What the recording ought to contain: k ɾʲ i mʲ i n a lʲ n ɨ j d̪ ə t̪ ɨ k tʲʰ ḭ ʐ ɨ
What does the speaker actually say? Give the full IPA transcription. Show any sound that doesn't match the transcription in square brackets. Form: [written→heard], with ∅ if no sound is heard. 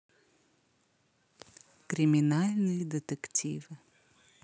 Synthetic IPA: k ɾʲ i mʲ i n a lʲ n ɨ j d̪ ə t̪ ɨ k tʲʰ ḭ [ʐ→v] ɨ